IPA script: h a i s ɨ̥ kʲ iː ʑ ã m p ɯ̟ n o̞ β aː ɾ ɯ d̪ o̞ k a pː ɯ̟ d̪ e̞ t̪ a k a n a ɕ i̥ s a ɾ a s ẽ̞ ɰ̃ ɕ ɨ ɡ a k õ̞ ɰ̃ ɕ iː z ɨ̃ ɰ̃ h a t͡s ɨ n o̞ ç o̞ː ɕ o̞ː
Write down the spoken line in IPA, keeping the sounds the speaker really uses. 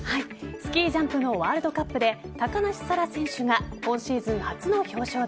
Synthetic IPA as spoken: h a i s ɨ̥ kʲ iː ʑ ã m p ɯ̟ n o̞ β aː ɾ ɯ d̪ o̞ k a pː ɯ̟ d̪ e̞ t̪ a k a n a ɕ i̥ s a ɾ a s ẽ̞ ɰ̃ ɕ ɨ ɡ a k õ̞ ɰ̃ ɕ iː z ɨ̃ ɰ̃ h a t͡s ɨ n o̞ ç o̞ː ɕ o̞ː